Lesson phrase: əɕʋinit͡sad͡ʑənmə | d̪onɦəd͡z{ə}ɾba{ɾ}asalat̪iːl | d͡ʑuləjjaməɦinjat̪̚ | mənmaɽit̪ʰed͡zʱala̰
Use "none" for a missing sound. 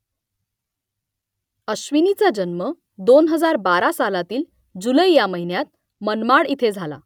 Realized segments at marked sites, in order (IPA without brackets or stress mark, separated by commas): a, ɾ